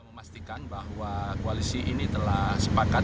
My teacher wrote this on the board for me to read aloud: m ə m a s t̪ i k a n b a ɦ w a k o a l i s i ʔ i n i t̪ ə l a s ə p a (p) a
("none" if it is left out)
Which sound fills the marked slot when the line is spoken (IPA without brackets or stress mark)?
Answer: k